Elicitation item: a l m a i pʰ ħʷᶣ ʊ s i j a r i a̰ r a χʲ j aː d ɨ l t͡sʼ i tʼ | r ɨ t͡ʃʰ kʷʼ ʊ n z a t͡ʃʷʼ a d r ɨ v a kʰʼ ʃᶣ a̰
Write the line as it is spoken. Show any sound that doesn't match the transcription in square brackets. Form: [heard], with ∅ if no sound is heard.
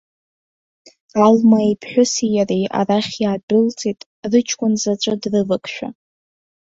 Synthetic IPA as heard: a l m a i pʰ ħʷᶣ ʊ s i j a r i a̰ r a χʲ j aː d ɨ l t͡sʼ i tʼ | r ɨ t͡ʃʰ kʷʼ ʊ n z a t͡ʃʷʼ a d r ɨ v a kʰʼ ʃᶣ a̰